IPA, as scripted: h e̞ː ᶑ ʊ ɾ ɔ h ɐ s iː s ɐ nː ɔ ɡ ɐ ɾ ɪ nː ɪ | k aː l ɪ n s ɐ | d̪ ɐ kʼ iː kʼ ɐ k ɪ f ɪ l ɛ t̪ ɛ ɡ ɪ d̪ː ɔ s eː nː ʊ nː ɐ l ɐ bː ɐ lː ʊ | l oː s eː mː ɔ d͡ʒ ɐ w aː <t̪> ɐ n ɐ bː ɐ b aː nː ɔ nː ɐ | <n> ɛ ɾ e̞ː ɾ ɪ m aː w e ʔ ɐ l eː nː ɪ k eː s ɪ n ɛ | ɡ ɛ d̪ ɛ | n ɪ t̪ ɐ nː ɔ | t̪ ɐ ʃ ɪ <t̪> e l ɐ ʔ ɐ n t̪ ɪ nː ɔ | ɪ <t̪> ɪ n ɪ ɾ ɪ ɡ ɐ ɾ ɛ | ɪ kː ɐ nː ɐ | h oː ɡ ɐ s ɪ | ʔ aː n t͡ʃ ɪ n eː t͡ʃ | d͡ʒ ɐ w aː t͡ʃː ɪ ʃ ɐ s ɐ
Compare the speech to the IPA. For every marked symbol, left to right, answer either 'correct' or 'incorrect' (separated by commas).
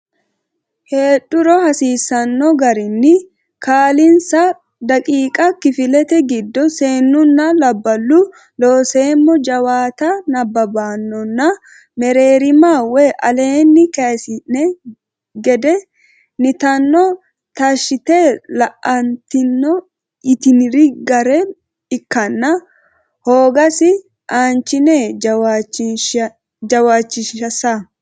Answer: correct, incorrect, correct, correct